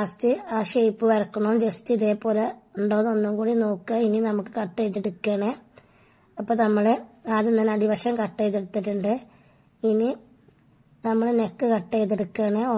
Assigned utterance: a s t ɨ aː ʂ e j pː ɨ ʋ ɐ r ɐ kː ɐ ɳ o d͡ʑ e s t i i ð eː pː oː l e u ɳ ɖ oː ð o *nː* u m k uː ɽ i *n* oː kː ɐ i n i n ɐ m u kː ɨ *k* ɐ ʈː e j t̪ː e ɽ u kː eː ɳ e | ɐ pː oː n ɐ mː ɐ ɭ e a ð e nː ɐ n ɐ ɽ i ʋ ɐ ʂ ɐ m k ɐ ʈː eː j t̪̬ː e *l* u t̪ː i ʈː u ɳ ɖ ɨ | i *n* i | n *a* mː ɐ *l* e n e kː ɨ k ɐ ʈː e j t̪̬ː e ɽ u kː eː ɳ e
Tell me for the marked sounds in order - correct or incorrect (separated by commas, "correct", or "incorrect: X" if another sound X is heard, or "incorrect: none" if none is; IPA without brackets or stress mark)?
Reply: correct, correct, correct, incorrect: ɽ, correct, incorrect: ɐ, incorrect: ɭ